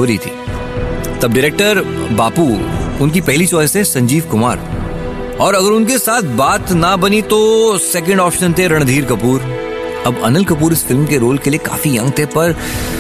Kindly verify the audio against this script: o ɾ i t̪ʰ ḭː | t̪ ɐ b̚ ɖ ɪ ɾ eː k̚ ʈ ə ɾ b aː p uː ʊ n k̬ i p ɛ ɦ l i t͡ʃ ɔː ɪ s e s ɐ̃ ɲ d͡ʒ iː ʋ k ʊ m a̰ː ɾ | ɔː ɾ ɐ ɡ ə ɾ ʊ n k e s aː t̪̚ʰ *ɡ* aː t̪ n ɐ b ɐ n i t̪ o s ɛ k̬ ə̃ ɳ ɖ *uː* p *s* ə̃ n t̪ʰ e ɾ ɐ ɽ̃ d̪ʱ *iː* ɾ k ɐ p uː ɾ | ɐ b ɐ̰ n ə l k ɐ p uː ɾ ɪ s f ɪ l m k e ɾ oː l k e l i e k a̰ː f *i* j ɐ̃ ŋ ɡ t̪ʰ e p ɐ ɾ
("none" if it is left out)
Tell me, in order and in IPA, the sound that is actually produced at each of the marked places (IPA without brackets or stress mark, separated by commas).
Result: b, ɔː, ʃ, iː, i